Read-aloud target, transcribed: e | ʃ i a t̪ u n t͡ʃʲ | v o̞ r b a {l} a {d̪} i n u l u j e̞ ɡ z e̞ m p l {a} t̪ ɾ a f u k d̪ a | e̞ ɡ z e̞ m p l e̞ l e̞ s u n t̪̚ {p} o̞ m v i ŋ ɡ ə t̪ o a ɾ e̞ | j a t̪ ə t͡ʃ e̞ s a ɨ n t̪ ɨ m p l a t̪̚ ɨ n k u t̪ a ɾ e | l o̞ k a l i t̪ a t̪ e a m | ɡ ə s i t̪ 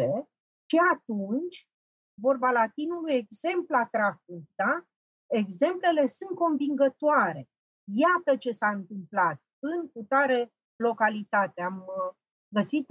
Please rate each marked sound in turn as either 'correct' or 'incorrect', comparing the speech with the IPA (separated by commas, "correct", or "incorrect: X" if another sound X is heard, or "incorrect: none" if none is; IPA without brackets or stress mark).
correct, incorrect: t̪, correct, incorrect: k